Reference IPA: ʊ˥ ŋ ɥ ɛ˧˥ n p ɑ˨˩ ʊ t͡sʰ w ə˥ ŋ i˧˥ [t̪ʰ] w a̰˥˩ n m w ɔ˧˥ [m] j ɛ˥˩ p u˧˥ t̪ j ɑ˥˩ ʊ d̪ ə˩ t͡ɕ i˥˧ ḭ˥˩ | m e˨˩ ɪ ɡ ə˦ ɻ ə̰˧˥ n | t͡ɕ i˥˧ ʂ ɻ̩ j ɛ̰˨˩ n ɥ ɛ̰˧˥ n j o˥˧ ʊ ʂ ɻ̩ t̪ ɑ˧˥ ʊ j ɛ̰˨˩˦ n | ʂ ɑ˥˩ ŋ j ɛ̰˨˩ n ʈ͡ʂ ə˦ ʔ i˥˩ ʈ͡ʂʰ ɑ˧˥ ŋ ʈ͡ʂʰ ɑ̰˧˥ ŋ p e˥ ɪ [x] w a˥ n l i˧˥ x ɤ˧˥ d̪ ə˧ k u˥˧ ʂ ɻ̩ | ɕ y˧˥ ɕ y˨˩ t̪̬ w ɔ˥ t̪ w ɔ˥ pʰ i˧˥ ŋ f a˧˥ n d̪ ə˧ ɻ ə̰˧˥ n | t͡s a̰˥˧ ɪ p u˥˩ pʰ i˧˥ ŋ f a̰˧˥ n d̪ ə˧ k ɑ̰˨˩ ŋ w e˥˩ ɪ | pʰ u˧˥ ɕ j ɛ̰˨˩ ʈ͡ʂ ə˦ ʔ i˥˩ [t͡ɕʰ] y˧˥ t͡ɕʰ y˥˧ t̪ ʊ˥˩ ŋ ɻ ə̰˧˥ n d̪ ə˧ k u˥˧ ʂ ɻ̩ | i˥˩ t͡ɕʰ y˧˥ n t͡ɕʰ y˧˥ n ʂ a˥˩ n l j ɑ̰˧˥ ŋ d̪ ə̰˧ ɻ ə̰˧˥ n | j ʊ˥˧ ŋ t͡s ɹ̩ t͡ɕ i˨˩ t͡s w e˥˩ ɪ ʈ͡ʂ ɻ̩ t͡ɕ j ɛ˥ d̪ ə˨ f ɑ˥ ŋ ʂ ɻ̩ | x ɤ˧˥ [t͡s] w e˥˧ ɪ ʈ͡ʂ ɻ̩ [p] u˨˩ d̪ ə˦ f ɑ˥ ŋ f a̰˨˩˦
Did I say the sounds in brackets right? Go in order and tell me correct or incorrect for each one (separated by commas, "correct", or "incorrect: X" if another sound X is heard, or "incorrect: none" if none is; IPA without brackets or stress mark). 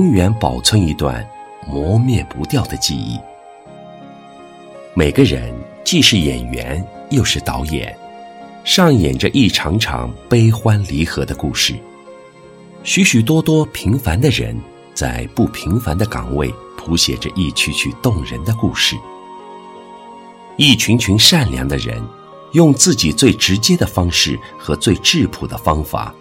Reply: incorrect: t̪, correct, correct, correct, correct, incorrect: pʰ